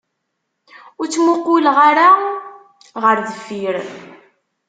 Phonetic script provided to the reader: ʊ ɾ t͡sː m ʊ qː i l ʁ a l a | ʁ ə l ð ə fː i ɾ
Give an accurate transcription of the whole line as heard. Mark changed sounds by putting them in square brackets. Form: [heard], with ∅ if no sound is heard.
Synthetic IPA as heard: ʊ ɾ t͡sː m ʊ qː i l ʁ a [ɾ] a | ʁ ə [ɾ] ð ə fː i ɾ